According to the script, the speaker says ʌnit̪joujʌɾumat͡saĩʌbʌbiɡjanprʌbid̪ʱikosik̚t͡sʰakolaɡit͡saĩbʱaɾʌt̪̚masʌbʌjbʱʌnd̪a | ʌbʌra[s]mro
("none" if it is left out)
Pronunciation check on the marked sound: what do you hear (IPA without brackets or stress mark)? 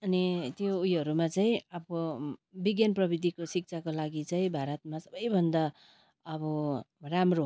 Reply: none